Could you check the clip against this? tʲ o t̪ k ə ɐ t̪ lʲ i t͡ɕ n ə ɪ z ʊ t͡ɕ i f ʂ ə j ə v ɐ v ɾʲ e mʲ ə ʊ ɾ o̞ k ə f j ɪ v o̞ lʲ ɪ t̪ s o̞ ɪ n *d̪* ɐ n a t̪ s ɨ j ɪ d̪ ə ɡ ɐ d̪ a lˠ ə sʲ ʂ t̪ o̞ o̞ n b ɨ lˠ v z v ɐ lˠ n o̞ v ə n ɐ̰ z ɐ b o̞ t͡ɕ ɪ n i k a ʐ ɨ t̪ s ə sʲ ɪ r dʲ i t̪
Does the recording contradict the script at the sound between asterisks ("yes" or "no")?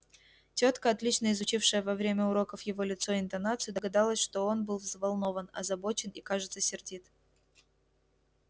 yes